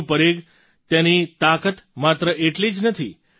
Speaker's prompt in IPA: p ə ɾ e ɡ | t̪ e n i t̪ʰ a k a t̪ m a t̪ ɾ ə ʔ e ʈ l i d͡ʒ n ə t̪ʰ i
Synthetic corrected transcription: p ə ɾ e ɡ | t̪ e n i t̪ a k ə t̪ m a t̪ ɾ ə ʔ e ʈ l i d͡ʒ n ə t̪ʰ i